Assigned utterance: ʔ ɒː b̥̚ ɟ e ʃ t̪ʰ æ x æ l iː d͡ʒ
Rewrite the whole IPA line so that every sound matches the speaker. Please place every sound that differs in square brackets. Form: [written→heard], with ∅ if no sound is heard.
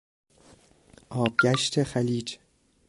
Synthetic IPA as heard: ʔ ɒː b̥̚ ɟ [e→æ] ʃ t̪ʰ [æ→e] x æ l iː d͡ʒ